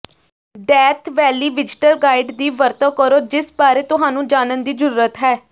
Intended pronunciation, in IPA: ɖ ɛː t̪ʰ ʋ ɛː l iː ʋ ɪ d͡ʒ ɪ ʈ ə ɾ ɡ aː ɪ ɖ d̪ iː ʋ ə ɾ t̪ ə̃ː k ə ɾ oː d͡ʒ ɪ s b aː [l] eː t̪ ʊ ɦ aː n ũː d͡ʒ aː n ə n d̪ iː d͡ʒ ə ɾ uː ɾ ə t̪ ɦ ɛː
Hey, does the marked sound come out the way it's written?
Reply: no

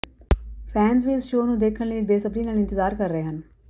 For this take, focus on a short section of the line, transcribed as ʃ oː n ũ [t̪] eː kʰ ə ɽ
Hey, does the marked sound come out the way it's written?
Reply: no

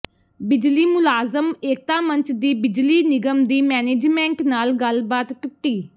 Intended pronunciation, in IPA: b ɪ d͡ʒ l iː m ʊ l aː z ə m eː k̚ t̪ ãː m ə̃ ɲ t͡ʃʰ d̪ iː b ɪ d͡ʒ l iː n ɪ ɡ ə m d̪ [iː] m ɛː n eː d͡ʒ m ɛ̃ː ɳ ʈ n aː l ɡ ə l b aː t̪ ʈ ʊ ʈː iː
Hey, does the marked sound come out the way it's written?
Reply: yes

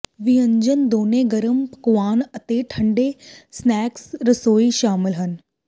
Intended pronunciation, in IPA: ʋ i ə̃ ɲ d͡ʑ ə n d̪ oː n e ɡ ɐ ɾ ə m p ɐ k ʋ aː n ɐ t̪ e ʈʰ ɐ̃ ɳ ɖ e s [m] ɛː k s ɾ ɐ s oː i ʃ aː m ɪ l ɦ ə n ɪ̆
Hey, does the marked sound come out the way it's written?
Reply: no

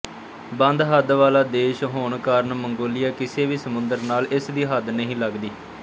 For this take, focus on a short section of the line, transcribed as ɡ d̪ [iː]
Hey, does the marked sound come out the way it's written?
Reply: yes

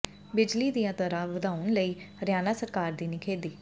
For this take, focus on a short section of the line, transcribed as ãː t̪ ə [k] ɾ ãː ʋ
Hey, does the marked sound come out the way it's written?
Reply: no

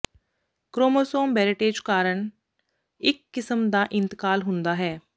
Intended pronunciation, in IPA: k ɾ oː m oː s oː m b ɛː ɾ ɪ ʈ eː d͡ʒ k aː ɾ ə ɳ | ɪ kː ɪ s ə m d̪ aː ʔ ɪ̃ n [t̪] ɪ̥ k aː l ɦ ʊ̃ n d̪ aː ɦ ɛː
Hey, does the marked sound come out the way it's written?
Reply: yes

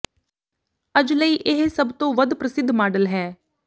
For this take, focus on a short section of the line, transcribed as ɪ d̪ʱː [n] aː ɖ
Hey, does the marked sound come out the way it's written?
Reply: no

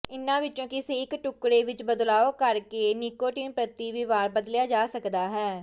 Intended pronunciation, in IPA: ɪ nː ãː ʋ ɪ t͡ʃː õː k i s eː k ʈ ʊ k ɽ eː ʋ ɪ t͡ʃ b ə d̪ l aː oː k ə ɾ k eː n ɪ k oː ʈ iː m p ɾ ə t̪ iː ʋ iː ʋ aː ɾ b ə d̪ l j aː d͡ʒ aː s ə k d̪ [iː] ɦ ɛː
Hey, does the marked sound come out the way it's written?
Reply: no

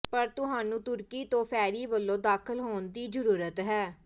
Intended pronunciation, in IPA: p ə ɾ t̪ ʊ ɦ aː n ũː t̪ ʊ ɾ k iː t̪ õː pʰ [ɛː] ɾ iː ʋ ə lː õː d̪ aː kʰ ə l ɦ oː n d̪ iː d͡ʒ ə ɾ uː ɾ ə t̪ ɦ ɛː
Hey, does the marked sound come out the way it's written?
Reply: yes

